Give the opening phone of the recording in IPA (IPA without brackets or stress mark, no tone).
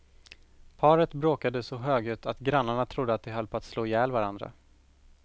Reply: pʰ